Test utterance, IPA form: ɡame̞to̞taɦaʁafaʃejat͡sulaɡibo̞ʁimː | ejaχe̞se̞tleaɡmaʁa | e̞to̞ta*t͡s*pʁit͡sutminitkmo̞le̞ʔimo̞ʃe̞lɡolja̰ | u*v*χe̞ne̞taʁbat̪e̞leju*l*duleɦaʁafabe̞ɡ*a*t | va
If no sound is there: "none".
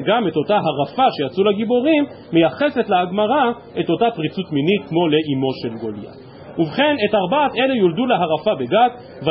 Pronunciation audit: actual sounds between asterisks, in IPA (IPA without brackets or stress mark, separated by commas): none, v, l, a